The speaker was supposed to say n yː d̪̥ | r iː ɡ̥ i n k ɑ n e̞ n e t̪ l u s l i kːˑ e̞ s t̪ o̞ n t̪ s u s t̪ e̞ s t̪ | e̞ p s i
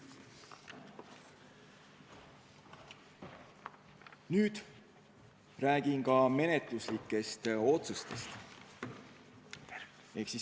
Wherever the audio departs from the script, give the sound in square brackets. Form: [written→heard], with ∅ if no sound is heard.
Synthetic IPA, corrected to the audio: n yː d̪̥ | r [iː→æː] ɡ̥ i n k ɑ [n→m] e̞ n e t̪ l u s l i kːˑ e̞ s t̪ o̞ [n→∅] t̪ s u s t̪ e̞ s t̪ | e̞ [p→k] s i